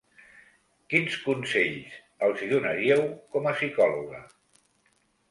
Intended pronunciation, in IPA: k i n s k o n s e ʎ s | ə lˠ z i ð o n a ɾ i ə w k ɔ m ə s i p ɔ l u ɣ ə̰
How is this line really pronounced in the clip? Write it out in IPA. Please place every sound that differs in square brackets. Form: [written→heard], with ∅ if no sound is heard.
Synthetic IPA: k i n s k [o→u] n s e ʎ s | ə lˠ z i ð [o→u] n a ɾ i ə w k ɔ m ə s i [p→k] ɔ l u ɣ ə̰